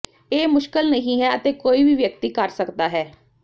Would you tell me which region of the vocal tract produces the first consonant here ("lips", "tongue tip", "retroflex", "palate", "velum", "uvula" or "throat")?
lips